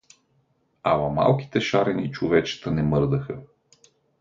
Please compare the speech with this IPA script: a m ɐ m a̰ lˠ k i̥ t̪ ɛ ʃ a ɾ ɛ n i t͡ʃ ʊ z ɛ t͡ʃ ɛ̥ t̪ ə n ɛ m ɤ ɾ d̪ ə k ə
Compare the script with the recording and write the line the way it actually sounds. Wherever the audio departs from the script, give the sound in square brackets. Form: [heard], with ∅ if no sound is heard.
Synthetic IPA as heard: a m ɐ m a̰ lˠ k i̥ t̪ ɛ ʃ a ɾ ɛ n i t͡ʃ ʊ [v] ɛ t͡ʃ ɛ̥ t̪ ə n ɛ m ɤ ɾ d̪ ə [x] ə